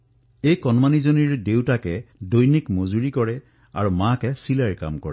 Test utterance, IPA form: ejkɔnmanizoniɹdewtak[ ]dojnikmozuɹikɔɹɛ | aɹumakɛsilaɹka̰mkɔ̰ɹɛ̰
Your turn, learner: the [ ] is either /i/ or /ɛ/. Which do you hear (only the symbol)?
ɛ